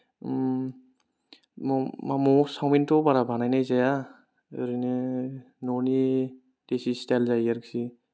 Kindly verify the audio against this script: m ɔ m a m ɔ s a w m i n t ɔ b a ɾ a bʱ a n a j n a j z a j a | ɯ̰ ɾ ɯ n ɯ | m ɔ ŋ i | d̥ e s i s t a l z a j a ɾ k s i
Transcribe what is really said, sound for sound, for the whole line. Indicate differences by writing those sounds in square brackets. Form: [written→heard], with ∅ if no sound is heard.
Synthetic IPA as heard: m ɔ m a m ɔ s a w m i n t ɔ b a ɾ a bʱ a n a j n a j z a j a | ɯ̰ ɾ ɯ n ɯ | [m→n] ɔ [ŋ→n] i | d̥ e s i s t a l z a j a ɾ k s i